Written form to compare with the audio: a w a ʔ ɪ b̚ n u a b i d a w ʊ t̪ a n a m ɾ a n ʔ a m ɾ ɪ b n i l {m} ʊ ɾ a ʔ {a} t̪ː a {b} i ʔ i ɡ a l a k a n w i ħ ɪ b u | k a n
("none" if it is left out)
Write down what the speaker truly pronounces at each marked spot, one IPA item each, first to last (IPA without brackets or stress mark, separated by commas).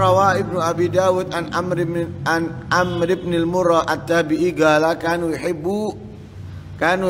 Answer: m, a, b